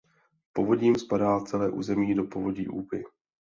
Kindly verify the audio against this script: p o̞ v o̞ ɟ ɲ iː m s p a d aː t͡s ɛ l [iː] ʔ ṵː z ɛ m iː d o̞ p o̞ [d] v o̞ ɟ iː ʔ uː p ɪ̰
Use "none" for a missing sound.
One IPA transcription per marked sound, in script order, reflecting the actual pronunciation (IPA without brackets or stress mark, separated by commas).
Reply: ɛː, none